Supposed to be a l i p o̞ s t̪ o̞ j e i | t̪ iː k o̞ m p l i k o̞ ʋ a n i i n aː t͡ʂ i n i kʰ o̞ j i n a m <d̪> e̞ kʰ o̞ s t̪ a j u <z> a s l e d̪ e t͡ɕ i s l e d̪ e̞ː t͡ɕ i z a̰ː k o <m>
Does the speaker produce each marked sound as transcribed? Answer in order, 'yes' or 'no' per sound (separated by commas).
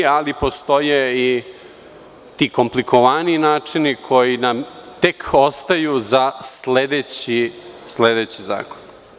no, yes, no